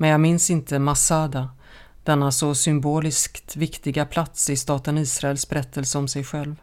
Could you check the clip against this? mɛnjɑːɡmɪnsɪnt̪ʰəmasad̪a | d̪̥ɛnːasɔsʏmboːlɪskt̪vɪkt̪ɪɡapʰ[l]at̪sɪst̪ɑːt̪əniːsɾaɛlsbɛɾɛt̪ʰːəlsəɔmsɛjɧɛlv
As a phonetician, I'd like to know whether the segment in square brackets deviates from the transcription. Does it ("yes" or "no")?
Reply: no